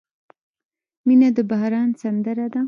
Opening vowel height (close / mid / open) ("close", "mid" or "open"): close